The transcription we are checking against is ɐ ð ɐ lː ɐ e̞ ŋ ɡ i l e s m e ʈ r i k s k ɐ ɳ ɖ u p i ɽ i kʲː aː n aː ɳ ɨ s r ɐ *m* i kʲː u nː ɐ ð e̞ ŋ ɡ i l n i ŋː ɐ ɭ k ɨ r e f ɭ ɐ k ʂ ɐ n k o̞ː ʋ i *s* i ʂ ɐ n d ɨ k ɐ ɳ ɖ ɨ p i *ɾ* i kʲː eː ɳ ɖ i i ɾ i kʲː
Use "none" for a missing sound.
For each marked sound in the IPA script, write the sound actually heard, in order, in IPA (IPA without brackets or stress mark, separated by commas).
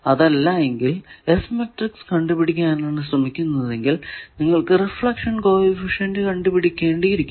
m, f, ɽ